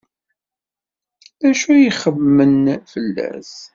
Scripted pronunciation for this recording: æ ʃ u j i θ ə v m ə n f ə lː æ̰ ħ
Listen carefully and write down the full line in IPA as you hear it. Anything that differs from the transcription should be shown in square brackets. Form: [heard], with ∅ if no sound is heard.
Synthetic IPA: æ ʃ u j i [χ] ə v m ə n f ə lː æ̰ [s]